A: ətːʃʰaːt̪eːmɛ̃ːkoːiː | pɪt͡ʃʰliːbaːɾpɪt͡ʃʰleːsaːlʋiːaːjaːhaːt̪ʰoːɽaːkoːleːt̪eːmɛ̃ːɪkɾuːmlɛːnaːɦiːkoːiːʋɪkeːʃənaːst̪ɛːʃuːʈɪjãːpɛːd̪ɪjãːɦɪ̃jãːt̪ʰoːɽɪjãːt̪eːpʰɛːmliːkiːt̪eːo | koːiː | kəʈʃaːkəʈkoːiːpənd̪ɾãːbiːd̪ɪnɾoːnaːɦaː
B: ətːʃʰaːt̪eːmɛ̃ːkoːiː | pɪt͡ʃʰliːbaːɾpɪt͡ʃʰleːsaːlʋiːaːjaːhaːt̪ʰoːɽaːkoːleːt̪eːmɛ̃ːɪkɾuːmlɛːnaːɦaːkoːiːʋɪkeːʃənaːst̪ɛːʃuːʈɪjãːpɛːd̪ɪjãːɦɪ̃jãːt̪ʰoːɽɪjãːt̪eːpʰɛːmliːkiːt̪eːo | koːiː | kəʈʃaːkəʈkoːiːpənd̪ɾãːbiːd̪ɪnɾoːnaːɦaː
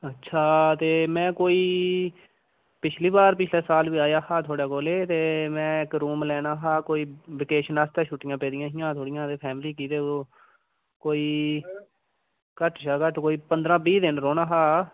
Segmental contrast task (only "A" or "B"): B